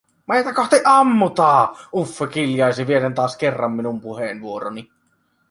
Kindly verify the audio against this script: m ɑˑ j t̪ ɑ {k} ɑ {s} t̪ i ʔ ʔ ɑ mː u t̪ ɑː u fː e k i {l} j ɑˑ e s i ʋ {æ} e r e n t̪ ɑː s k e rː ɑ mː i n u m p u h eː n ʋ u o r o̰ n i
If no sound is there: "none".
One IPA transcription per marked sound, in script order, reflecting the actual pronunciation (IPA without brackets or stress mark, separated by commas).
k, h, l, i